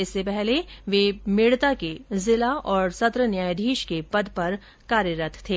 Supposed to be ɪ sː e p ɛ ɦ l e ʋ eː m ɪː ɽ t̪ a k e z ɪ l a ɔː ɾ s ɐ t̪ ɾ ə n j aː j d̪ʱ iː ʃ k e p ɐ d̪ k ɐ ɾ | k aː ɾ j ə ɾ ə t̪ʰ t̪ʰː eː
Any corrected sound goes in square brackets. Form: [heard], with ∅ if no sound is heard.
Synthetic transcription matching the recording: ɪ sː e p ɛ ɦ l e ʋ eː m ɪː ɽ t̪ a k e z ɪ l a ɔː ɾ s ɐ t̪ ɾ ə n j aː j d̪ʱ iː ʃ k e p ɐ d̪ [p] ɐ ɾ | k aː ɾ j ə ɾ ə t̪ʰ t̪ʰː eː